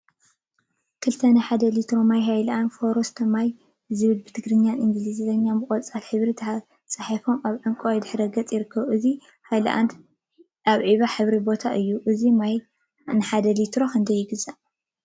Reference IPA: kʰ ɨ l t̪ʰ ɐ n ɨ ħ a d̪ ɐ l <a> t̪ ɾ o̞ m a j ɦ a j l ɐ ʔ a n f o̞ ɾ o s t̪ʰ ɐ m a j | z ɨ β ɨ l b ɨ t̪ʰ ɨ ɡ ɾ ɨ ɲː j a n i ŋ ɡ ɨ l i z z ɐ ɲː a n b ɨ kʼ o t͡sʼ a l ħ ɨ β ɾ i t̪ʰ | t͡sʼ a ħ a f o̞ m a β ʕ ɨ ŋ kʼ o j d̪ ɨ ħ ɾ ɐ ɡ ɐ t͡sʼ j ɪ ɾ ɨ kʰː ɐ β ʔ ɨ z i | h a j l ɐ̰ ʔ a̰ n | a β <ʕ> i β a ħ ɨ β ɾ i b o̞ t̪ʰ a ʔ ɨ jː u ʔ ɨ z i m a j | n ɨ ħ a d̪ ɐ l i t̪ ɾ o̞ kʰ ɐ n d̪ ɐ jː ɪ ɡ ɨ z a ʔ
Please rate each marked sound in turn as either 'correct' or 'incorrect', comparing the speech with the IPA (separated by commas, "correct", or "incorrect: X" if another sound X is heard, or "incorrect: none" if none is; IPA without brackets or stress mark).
incorrect: i, correct